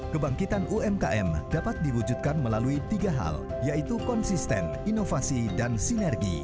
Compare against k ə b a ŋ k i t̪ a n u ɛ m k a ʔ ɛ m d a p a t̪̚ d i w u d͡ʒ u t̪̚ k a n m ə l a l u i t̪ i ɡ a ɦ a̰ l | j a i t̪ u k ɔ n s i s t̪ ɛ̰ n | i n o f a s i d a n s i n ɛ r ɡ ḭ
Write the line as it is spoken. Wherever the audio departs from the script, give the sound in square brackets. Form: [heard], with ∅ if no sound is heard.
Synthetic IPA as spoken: k ə b a ŋ k i t̪ a n u ɛ m k a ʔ ɛ m d a p a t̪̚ d i w u d͡ʒ u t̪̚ k a n m ə l a l u i t̪ i ɡ a ɦ a̰ l | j a i t̪ u k ɔ n s i s t̪ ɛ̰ n | i n o f a s i d a n s i n ɛ r ɡ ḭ

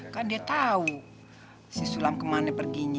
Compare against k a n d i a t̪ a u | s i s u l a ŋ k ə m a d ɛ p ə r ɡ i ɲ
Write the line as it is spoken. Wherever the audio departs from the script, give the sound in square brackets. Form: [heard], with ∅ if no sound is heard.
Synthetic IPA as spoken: k a n d i a t̪ a u | s i s u l a [m] k ə m a [n] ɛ p ə r ɡ i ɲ

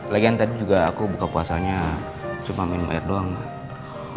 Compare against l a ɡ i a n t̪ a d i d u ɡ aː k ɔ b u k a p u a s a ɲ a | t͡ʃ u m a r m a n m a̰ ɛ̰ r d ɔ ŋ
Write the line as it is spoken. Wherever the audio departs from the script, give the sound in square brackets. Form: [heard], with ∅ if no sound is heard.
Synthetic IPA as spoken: l a ɡ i a n t̪ a d i [d͡ʒ] u ɡ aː k [u] b u k a p u a s a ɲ a | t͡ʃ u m a [∅] m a n m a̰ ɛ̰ r d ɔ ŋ

